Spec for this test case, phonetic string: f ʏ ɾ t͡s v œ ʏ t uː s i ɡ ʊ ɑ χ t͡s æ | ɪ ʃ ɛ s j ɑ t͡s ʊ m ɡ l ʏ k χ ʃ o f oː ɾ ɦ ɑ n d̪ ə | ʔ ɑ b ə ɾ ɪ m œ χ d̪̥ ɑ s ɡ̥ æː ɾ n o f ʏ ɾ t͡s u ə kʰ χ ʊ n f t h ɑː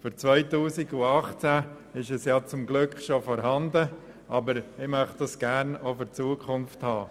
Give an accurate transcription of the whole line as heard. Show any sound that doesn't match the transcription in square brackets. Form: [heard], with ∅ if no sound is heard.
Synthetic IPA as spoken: f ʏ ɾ t͡s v œ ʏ t uː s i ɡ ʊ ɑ χ t͡s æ | ɪ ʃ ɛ s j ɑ t͡s ʊ m ɡ l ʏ k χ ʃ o f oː ɾ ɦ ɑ n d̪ ə | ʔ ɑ b ə ɾ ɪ m œ χ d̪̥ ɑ s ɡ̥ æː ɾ n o f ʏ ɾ t͡s u ə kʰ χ ʊ n f t h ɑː